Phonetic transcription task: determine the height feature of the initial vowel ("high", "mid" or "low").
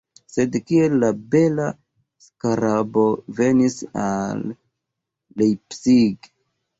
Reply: mid